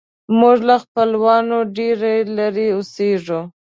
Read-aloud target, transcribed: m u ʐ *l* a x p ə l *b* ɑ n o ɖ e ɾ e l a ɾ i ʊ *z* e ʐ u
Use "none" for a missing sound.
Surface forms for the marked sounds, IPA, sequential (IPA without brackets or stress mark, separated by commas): l, w, s